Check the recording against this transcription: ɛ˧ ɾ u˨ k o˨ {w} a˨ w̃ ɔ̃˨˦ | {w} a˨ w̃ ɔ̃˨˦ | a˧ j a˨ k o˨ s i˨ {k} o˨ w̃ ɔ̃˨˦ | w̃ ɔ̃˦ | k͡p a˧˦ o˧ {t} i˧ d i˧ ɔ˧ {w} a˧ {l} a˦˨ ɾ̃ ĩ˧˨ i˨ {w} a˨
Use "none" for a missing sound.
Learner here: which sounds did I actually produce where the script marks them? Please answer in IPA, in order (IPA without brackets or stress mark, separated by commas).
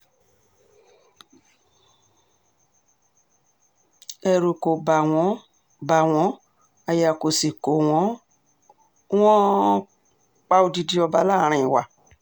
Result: b, b, k, d, b, l, w